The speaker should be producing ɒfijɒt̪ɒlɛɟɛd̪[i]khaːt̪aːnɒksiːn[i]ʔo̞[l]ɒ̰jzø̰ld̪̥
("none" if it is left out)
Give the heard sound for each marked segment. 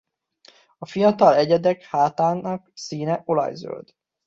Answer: ɛ, ɛ, l

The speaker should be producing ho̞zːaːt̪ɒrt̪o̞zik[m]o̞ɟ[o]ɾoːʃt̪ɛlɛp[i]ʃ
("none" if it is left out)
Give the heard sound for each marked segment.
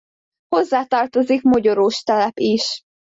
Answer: m, o, i

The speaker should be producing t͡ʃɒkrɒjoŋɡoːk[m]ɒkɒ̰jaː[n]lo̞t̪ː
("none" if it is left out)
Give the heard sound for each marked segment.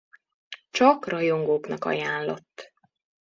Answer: n, n

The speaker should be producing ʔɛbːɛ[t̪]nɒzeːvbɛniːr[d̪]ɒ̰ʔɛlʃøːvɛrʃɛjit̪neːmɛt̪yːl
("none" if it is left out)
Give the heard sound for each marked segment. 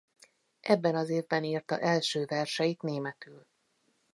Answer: none, t̪

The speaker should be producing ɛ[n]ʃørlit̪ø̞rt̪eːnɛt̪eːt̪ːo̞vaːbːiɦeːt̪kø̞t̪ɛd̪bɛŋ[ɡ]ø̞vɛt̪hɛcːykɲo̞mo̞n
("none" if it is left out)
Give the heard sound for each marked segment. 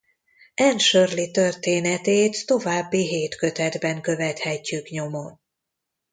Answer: n, k

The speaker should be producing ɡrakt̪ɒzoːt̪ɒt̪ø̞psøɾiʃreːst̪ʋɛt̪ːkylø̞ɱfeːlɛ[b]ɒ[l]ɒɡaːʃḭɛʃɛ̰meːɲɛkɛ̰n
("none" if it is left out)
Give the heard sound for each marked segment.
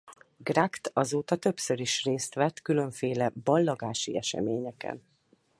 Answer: b, lː

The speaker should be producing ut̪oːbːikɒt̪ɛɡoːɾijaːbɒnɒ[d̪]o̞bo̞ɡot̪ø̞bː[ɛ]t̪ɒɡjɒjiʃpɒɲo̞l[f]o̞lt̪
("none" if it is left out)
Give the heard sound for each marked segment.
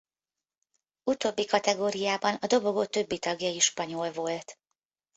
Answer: d̪, i, v

